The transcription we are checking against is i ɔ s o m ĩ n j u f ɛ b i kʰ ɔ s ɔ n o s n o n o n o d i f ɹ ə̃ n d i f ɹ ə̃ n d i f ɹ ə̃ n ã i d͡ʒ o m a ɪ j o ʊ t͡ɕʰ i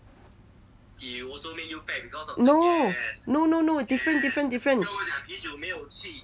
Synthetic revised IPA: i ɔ s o m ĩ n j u f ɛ b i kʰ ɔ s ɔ n o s n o n o n o d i f ɹ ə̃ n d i f ɹ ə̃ n d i f ɹ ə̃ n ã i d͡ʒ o m e ɪ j o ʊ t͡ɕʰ i